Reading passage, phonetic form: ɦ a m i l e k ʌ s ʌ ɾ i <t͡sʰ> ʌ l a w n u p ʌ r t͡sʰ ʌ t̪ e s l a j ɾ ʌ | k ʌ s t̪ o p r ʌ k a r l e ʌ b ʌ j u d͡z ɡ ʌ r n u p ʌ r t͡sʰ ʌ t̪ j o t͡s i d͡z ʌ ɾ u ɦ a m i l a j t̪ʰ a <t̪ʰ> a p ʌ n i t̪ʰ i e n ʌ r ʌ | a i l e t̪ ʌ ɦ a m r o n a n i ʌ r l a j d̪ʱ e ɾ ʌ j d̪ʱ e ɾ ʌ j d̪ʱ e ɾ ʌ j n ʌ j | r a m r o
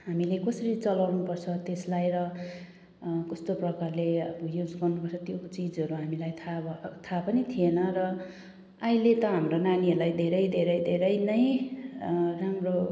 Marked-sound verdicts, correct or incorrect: incorrect: t͡s, correct

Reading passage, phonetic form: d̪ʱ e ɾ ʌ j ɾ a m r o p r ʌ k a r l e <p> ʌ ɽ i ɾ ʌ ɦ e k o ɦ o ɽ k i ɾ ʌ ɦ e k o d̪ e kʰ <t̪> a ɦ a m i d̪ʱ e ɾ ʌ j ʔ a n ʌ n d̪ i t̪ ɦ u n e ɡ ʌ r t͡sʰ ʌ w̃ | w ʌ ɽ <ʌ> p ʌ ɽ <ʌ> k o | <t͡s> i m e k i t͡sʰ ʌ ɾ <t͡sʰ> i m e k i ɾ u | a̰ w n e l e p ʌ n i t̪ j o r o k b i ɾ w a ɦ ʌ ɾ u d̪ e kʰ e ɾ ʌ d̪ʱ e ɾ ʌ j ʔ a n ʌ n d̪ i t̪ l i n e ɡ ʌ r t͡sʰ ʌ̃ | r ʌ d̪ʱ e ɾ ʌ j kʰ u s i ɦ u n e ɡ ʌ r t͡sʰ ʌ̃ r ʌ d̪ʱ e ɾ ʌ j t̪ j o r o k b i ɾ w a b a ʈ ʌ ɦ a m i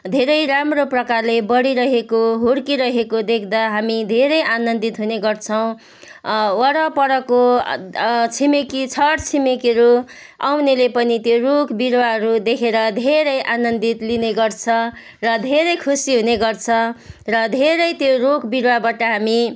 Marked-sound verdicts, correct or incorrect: incorrect: b, incorrect: d̪, correct, correct, incorrect: t͡sʰ, correct

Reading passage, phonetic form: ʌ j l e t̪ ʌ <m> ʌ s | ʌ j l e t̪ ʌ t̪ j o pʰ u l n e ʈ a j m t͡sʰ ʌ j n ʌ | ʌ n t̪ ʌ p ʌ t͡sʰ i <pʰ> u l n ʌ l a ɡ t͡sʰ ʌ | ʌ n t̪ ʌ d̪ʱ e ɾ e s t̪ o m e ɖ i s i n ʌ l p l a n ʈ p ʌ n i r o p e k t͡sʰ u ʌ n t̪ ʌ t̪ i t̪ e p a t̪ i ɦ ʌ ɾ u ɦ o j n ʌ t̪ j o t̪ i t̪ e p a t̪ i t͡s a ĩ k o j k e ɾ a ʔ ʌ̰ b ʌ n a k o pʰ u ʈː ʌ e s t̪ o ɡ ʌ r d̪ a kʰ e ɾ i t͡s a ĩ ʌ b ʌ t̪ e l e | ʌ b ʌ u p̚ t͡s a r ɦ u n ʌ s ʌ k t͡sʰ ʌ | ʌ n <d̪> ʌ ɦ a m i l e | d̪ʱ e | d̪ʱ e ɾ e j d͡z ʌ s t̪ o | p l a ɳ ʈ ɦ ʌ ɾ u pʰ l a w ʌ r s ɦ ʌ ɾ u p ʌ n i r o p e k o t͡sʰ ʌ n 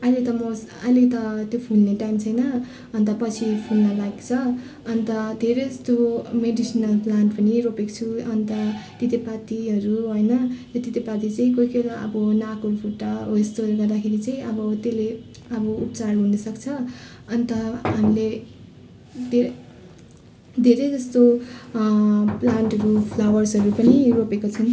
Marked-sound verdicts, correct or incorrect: correct, correct, incorrect: t̪

